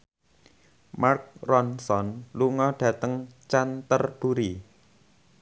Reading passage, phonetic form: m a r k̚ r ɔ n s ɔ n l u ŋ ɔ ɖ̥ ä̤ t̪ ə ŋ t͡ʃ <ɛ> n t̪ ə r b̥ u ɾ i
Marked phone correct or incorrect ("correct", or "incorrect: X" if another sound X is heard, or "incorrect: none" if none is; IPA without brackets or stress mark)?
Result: incorrect: a